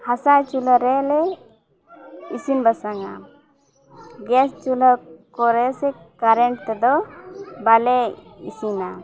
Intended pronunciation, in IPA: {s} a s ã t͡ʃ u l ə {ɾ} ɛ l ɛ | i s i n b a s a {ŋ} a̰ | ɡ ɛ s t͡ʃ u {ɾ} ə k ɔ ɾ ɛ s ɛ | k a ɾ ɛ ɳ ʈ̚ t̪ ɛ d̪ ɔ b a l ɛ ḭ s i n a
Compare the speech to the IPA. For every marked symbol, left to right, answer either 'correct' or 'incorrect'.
incorrect, correct, correct, incorrect

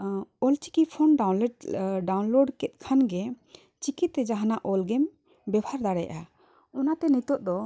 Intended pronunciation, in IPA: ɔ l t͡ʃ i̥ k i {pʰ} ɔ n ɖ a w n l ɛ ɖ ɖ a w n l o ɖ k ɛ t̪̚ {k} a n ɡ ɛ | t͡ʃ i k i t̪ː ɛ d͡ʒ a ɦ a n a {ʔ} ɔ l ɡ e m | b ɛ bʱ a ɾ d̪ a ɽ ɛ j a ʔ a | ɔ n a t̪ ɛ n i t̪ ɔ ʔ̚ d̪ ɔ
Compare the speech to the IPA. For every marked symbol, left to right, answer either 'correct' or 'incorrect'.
correct, incorrect, correct

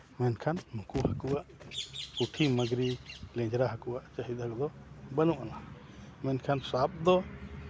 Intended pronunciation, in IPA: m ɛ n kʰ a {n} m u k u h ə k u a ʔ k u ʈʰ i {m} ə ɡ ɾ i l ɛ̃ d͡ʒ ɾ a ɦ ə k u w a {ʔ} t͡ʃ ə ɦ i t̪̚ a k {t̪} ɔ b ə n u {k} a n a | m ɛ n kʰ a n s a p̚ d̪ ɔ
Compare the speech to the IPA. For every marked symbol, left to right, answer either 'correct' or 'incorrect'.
correct, correct, correct, incorrect, incorrect

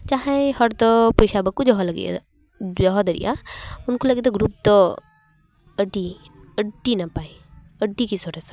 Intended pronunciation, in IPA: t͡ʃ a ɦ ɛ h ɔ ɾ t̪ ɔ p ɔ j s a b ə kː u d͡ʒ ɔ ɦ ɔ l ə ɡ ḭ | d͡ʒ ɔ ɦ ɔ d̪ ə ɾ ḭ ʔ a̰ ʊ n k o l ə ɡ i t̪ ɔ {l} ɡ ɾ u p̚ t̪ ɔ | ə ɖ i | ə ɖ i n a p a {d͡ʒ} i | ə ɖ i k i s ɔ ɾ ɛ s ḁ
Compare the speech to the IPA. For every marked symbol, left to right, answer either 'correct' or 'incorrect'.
incorrect, incorrect

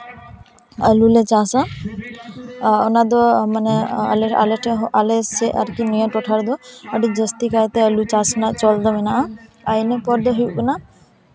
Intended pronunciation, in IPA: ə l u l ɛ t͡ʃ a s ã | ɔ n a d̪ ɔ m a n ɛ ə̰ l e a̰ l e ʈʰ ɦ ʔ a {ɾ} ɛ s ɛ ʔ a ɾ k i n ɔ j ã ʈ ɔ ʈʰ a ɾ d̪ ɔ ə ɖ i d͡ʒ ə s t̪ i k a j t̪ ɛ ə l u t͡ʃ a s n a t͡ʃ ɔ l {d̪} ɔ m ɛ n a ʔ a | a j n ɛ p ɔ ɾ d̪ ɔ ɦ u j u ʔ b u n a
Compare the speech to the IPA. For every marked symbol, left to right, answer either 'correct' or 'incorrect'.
incorrect, correct

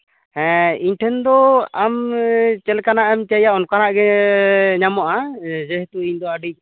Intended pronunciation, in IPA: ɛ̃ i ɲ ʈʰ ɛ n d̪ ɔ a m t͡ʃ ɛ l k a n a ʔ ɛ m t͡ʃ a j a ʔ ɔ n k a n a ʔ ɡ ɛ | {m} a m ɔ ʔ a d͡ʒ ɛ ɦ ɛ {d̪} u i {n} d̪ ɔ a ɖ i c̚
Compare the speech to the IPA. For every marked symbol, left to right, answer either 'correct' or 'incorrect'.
incorrect, incorrect, incorrect

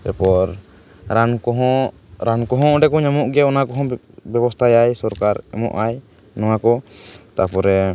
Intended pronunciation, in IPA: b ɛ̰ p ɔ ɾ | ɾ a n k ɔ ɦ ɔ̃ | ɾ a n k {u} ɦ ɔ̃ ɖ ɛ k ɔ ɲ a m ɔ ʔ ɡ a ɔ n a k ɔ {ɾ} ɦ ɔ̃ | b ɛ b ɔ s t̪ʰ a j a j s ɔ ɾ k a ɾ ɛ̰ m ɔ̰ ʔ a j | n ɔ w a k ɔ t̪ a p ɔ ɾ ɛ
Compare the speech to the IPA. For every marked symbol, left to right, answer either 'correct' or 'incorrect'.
incorrect, incorrect

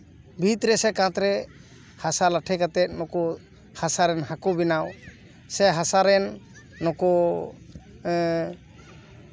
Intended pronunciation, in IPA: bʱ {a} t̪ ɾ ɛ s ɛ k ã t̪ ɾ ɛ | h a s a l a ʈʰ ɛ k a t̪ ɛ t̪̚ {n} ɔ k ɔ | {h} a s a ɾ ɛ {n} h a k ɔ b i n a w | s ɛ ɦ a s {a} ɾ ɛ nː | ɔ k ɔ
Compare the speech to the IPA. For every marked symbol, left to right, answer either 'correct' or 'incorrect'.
incorrect, correct, correct, correct, correct

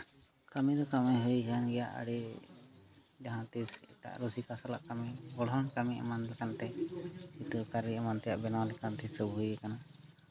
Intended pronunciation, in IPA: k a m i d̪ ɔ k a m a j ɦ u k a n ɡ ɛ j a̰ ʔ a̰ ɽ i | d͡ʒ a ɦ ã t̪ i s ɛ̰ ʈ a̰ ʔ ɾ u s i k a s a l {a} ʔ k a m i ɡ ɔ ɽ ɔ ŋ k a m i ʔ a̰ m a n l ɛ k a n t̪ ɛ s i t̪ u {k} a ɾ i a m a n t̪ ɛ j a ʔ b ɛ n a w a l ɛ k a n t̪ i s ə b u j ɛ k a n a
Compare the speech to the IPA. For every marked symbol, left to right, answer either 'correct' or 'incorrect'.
correct, correct

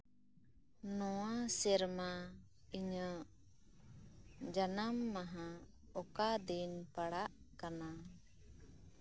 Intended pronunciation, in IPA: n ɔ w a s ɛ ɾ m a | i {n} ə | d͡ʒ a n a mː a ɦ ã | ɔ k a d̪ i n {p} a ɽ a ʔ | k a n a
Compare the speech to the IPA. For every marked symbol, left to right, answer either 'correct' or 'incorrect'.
incorrect, correct

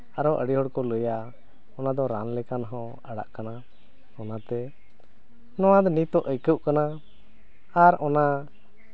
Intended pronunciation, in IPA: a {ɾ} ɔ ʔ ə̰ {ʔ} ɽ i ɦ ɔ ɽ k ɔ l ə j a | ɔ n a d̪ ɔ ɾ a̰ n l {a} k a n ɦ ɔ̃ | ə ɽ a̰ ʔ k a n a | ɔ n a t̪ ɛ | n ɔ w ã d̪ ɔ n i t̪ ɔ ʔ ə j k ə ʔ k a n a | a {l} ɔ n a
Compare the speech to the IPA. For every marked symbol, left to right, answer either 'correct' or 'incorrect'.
correct, incorrect, incorrect, incorrect

